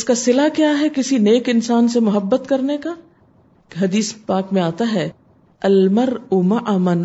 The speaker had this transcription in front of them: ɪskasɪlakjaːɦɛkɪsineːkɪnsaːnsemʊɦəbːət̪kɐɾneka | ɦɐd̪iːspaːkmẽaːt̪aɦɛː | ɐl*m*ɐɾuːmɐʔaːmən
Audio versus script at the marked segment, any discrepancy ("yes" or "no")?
no